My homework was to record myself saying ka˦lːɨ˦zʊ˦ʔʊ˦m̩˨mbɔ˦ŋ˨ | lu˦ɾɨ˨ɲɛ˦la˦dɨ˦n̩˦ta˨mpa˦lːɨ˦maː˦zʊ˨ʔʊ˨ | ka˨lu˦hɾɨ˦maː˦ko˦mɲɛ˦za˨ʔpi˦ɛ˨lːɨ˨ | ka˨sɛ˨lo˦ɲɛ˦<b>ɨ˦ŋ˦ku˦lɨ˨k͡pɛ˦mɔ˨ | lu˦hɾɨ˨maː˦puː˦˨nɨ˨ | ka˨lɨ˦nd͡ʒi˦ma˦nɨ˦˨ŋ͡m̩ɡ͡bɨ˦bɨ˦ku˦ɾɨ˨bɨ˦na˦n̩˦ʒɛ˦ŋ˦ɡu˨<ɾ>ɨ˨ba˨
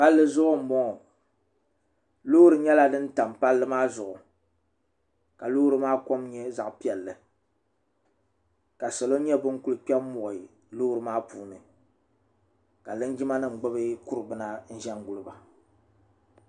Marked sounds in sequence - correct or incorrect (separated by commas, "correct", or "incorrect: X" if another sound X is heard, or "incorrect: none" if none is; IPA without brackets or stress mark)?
correct, incorrect: l